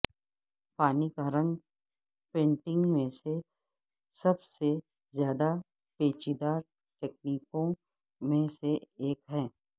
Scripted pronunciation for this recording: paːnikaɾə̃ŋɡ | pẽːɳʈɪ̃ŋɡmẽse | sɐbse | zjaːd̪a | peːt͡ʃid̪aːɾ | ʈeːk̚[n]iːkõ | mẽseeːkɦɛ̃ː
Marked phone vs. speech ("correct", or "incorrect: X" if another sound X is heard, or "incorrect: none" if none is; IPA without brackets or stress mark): correct